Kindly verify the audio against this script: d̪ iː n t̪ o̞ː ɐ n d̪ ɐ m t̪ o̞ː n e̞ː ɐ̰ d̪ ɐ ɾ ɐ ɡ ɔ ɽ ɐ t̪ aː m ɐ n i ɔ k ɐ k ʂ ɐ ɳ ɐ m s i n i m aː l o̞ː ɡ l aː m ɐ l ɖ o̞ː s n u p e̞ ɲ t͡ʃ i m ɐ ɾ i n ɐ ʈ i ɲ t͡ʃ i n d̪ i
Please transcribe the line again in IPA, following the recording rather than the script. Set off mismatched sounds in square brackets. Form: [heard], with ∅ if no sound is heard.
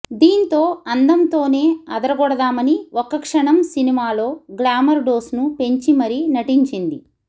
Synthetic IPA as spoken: d̪ iː n t̪ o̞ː ɐ n d̪ ɐ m t̪ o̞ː n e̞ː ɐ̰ d̪ ɐ ɾ ɐ ɡ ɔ ɽ ɐ [d̪] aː m ɐ n i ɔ k ɐ k ʂ ɐ ɳ ɐ m s i n i m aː l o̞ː ɡ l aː m ɐ [ɾ] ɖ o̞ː s n u p e̞ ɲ t͡ʃ i m ɐ ɾ i n ɐ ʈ i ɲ t͡ʃ i n d̪ i